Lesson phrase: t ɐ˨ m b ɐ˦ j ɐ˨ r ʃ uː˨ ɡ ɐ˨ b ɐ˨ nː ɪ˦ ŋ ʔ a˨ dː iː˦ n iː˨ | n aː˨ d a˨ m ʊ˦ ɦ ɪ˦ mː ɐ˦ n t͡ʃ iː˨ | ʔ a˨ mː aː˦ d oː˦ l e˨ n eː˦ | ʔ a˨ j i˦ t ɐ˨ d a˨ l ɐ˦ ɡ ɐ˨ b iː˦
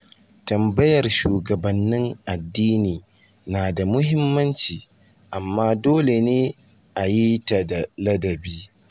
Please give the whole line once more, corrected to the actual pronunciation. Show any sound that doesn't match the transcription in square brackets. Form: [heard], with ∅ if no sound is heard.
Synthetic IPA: t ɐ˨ m b ɐ˦ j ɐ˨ r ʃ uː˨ ɡ ɐ˨ b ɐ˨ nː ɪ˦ ŋ ʔ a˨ dː iː˦ n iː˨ | n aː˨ d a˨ m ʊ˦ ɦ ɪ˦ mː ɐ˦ n t͡ʃ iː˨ | ʔ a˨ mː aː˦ d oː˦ l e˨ n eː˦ | ʔ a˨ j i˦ t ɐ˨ d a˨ l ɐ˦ [d] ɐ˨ b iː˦